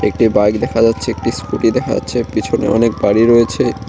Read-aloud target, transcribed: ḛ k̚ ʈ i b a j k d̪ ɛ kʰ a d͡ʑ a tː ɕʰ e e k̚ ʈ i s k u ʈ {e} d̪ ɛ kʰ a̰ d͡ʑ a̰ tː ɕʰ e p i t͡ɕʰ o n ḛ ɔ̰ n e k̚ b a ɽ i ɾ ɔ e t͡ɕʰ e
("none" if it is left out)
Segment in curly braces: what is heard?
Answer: i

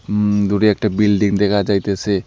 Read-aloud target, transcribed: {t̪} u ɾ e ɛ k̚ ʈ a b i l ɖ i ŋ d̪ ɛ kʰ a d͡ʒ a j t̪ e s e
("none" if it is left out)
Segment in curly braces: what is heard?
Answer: d̪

